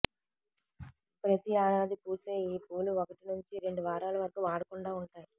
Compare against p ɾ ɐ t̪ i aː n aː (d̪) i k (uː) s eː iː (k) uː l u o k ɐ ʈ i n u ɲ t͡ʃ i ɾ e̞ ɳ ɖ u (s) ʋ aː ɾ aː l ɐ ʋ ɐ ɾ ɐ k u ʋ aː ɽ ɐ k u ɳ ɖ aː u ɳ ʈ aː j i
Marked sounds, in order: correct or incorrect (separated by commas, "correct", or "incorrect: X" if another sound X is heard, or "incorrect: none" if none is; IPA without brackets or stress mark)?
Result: correct, correct, incorrect: p, incorrect: none